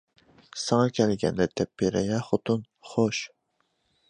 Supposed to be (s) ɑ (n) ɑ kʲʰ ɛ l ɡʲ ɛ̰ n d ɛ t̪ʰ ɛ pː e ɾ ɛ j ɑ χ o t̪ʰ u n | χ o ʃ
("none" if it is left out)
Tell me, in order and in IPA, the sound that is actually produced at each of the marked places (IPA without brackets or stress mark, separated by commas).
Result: s, ŋ